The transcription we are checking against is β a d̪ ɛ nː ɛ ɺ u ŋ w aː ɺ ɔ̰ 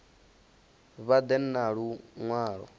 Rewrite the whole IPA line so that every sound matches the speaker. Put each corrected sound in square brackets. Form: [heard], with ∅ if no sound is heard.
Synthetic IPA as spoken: β a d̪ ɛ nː [a] ɺ u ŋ w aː ɺ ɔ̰